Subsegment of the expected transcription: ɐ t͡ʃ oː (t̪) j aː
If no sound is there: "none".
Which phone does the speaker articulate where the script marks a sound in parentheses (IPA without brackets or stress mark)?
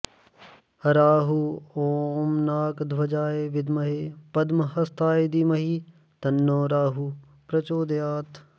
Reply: d̪